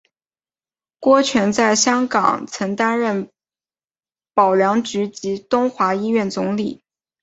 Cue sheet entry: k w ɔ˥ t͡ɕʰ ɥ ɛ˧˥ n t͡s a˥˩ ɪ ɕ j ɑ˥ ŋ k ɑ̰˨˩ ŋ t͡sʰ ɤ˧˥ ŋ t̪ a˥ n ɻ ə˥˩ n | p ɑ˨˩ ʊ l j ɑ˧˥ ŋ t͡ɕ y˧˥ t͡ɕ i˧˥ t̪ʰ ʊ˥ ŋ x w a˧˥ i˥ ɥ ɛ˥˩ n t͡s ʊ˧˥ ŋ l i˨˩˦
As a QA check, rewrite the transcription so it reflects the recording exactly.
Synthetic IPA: k w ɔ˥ t͡ɕʰ ɥ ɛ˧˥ n t͡s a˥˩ ɪ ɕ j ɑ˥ ŋ k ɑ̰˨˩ ŋ t͡sʰ ɤ˧˥ ŋ t̪ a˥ n ɻ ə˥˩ n | p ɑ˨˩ ʊ l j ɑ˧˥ ŋ t͡ɕ y˧˥ t͡ɕ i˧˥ t̪ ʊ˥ ŋ x w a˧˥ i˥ ɥ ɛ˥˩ n t͡s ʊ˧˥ ŋ l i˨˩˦